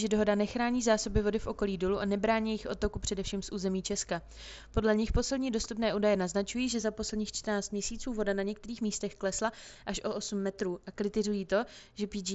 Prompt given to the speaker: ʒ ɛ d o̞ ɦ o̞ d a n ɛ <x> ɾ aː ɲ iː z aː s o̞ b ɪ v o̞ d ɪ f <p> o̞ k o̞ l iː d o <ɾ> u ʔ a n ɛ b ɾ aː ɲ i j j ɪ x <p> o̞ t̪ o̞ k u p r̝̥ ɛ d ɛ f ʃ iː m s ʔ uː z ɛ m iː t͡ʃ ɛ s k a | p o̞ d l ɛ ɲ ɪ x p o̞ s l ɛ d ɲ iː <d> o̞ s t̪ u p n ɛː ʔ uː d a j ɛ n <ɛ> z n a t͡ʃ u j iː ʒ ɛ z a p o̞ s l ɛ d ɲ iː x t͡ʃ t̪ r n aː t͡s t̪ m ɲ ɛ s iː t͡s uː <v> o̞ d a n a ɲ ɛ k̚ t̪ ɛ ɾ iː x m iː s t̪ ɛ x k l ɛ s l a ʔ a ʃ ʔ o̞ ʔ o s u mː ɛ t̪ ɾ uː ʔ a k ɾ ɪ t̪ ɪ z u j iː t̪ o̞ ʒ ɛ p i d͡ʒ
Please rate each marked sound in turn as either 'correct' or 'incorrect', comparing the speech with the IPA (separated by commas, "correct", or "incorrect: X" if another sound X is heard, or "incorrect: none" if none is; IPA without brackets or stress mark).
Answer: correct, incorrect: ʔ, incorrect: l, incorrect: ʔ, correct, incorrect: a, correct